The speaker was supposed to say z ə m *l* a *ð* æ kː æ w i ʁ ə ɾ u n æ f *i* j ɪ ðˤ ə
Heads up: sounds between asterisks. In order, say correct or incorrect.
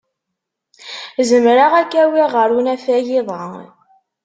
incorrect, incorrect, incorrect

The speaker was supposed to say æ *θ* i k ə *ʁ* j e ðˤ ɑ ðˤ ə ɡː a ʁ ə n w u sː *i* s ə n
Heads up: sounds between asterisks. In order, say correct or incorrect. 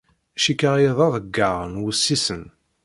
incorrect, correct, correct

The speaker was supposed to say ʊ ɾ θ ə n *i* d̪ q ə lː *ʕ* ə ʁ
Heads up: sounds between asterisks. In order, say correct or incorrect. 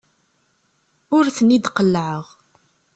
correct, correct

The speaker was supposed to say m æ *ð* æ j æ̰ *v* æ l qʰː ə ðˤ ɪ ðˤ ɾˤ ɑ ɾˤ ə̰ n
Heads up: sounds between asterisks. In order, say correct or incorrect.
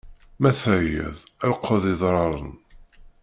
incorrect, incorrect

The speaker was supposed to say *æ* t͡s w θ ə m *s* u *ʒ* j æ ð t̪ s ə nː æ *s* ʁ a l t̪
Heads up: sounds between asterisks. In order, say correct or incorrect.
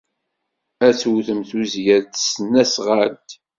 correct, incorrect, incorrect, correct

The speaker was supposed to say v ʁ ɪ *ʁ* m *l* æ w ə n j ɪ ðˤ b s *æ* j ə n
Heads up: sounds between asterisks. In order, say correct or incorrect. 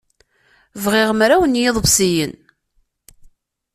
correct, incorrect, incorrect

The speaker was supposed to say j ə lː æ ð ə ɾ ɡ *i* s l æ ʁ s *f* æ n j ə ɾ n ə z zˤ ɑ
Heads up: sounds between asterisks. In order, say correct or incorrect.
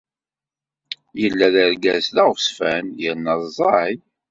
incorrect, correct

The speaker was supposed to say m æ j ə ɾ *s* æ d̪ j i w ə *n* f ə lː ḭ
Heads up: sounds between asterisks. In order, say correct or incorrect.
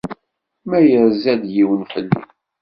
incorrect, correct

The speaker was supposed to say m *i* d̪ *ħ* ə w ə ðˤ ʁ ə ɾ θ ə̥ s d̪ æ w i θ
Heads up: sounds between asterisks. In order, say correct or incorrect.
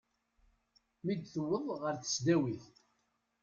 correct, incorrect

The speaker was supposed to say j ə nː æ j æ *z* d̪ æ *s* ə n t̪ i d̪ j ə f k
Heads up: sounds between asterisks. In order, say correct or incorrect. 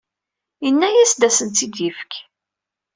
incorrect, correct

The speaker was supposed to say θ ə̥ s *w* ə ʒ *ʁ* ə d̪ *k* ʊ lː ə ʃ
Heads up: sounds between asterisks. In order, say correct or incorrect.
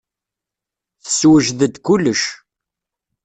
correct, incorrect, correct

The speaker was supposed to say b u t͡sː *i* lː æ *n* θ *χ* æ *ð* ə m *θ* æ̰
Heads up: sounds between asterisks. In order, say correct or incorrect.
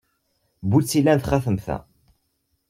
correct, correct, correct, incorrect, correct

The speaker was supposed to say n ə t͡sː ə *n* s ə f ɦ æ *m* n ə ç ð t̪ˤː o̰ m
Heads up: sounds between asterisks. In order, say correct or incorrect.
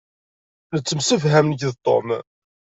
incorrect, correct

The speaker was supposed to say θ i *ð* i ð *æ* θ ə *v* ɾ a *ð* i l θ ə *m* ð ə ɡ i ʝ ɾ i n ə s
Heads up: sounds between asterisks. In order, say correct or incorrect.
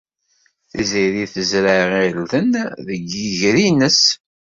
incorrect, incorrect, incorrect, incorrect, incorrect

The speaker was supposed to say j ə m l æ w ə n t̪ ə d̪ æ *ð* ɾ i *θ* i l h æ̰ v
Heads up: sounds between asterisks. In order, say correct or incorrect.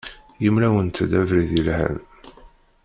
incorrect, incorrect

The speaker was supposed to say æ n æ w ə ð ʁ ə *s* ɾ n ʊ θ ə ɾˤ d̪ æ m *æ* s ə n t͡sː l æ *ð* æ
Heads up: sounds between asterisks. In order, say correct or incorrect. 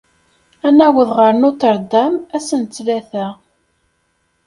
incorrect, correct, incorrect

